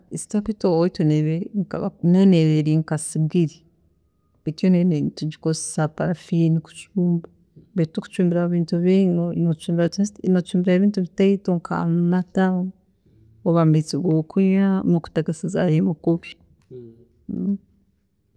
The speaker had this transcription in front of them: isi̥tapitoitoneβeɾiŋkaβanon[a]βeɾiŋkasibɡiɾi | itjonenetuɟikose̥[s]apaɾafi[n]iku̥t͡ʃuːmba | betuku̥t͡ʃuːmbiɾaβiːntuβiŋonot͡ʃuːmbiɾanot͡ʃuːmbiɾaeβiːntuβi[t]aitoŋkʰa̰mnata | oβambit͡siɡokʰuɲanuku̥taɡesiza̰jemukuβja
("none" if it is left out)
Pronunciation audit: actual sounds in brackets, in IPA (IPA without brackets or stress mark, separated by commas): e, s, n, t